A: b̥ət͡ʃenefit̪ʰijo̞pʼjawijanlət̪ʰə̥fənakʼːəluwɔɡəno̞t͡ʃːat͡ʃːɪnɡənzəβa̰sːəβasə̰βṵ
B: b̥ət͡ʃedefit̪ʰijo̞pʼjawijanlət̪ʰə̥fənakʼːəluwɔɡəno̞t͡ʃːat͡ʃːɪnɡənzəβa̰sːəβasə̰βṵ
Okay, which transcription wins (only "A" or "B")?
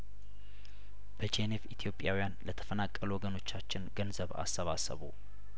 A